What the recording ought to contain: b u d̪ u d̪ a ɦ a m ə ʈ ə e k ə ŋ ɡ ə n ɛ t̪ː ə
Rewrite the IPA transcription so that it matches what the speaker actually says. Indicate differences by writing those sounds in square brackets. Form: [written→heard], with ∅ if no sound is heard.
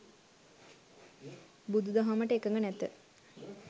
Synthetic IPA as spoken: b u d̪ u d̪ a ɦ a m ə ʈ ə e k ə ŋ ɡ ə n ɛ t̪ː ə

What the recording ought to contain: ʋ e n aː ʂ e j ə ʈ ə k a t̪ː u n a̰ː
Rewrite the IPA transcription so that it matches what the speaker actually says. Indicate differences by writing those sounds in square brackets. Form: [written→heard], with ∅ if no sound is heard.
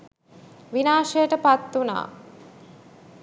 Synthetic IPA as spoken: ʋ [e→i] n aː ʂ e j ə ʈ ə [k→p] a t̪ː u n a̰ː

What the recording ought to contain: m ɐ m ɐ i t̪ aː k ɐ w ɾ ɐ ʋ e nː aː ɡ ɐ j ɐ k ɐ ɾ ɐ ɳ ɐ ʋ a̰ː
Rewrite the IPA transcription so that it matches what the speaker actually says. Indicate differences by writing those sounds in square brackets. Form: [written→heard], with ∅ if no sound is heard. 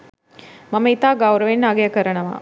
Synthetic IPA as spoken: m ɐ m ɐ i t̪ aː [k→ɡ] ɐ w ɾ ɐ ʋ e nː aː ɡ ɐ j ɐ k ɐ ɾ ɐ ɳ ɐ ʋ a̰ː

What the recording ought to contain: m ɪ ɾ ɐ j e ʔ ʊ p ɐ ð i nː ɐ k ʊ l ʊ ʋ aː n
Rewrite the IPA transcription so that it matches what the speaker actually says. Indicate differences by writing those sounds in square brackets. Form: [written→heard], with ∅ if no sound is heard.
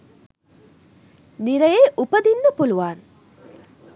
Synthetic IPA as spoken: [m→n] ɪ ɾ ɐ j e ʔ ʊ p ɐ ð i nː ɐ [k→p] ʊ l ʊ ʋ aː n

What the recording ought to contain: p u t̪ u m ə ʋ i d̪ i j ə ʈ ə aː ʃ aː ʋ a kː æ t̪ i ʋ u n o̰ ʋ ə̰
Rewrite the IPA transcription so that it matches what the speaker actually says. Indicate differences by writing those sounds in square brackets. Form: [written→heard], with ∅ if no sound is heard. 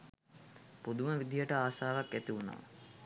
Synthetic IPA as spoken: p u [t̪→d̪] u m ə ʋ i d̪ i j ə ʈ ə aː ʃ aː ʋ a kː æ t̪ i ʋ u n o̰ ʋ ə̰

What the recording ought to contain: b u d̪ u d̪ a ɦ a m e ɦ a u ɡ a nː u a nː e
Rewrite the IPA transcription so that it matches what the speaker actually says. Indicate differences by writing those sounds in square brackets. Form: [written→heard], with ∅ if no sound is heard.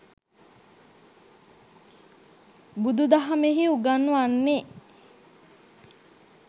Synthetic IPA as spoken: b u d̪ u d̪ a ɦ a m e ɦ [a→i] u ɡ a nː u a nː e

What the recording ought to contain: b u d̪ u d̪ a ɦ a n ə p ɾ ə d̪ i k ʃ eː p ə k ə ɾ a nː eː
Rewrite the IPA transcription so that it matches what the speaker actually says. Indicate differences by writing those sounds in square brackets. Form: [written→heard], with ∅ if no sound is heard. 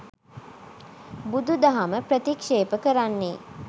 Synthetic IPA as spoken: b u d̪ u d̪ a ɦ a [n→m] ə p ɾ ə [d̪→t̪] i k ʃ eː p ə k ə ɾ a nː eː

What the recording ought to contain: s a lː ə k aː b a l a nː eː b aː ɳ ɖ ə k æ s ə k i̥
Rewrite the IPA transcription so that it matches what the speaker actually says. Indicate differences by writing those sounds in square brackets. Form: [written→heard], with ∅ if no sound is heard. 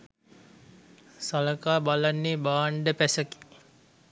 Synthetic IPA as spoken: s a [lː→l] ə k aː b a l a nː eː b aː ɳ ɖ ə [k→p] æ s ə k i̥

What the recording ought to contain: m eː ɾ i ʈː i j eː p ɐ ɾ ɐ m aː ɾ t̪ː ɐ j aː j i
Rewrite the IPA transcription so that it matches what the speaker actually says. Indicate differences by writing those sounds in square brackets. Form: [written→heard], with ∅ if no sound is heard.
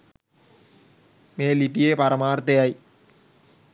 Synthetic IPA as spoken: m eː [ɾ→l] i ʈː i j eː p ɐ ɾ ɐ m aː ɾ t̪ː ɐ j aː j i

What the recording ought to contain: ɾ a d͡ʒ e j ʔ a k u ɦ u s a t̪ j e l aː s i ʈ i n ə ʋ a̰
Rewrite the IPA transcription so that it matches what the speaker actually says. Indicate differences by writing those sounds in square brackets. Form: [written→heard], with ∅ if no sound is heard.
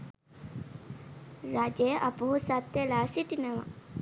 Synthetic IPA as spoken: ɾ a d͡ʒ e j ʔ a [k→p] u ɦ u s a t̪ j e l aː s i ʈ i n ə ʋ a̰

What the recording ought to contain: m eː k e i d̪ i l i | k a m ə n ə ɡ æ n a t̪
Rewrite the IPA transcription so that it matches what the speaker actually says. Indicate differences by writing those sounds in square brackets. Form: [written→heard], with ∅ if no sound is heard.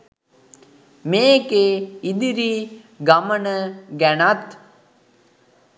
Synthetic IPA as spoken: m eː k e i d̪ i [l→ɾ] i | [k→ɡ] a m ə n ə ɡ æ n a t̪

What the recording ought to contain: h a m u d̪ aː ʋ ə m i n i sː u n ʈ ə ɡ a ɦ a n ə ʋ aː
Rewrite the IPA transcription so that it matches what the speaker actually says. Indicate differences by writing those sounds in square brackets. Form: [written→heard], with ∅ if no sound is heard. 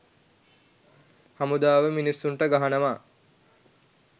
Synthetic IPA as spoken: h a m u d̪ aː ʋ ə m i n i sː u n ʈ ə ɡ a ɦ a n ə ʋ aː

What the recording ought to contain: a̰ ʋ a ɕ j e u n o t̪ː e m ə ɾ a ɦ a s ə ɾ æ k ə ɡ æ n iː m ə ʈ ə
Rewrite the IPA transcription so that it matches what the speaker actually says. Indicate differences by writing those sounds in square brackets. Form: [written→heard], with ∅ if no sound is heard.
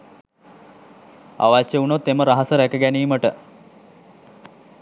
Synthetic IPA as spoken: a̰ ʋ a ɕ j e u n o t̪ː e m ə ɾ a ɦ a s ə ɾ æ k ə ɡ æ n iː m ə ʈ ə

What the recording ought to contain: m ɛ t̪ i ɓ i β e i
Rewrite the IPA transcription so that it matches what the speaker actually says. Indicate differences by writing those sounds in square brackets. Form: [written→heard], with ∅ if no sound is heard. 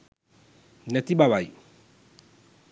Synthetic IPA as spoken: [m→n] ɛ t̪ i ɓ [i→a] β [e→a] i

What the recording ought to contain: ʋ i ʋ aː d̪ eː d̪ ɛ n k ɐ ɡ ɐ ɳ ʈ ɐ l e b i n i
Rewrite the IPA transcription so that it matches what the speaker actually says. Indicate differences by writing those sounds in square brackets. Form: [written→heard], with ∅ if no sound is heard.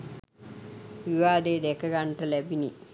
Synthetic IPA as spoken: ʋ i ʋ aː d̪ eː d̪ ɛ [n→∅] k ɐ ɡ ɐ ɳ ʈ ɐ l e b i n i

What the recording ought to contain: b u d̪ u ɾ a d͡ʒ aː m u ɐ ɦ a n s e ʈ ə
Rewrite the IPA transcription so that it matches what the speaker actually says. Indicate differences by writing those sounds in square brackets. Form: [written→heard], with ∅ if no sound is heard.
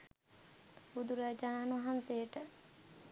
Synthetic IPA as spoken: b u d̪ u ɾ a d͡ʒ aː [m→n] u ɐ ɦ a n s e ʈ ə

